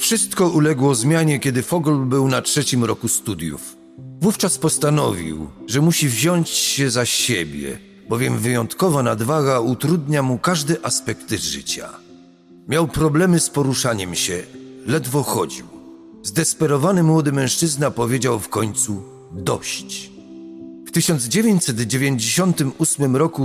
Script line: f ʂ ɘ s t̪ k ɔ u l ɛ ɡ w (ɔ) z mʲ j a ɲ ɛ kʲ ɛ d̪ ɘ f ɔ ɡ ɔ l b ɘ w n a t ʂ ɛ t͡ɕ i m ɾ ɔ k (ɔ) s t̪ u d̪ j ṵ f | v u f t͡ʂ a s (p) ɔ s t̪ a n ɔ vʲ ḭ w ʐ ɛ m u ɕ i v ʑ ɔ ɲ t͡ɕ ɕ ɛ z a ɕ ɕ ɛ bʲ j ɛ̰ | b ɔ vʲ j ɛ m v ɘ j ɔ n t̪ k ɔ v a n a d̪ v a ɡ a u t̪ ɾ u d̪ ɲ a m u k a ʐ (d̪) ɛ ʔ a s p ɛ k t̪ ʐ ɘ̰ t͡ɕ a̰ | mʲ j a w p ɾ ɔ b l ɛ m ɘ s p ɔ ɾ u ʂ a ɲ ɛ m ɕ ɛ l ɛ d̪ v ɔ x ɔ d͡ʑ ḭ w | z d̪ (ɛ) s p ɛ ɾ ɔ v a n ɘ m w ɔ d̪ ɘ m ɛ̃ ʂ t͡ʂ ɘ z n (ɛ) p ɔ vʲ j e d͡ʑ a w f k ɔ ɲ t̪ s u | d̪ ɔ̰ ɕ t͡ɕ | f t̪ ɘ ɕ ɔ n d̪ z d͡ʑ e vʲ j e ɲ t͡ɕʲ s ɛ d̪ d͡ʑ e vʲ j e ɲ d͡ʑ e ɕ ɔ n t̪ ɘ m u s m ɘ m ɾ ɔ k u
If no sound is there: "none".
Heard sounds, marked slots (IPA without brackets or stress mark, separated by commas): ɔ, u, p, d̪, ɛ, a